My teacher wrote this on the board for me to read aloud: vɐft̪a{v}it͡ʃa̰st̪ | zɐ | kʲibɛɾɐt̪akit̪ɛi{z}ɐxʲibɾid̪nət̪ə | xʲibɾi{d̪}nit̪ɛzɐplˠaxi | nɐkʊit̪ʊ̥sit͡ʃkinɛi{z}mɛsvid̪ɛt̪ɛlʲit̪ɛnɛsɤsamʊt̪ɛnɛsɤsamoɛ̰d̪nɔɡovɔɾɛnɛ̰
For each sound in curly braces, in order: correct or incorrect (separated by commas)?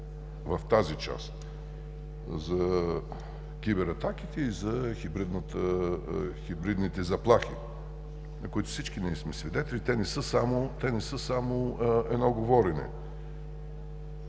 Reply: incorrect, correct, correct, incorrect